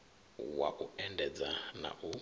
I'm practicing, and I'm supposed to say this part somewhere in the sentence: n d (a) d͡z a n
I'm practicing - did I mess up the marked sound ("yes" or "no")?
yes